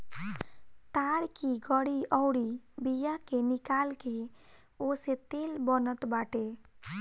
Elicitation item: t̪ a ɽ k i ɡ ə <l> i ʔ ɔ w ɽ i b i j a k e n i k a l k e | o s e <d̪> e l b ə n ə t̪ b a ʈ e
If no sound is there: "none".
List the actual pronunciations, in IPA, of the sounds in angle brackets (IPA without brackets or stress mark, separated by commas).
ɽ, t̪